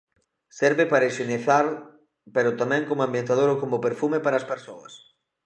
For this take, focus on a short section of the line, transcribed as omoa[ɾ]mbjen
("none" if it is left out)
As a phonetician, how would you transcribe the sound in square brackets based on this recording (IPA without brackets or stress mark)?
none